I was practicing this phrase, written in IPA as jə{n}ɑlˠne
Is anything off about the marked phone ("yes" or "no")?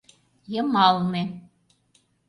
yes